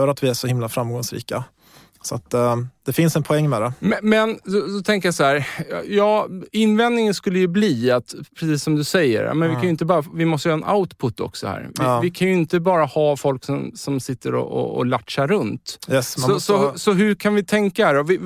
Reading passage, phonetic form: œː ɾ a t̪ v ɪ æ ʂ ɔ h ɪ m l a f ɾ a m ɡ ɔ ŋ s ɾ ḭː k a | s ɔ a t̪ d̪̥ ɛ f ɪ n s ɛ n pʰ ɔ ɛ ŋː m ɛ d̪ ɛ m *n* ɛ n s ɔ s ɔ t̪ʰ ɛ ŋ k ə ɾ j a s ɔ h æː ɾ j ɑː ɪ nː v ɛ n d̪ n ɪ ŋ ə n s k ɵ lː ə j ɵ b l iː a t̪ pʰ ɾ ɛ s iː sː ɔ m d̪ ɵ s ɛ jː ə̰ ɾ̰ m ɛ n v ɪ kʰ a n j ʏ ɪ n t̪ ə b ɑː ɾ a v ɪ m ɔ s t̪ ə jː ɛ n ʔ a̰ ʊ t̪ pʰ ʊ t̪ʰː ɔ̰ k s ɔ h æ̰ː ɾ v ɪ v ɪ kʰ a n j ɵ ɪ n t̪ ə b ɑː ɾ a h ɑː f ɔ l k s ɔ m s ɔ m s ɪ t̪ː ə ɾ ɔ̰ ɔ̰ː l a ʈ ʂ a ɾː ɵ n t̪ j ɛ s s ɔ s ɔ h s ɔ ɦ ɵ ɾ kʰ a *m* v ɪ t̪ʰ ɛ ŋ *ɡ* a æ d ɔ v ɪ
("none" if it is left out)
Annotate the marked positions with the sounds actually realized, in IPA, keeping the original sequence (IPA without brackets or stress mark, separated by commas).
m, n, k